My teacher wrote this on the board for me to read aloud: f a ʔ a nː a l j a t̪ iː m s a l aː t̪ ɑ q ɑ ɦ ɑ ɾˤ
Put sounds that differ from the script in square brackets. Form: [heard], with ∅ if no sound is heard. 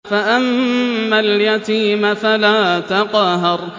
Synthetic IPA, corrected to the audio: f a ʔ a [mː] a l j a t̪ iː m [f] a l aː t̪ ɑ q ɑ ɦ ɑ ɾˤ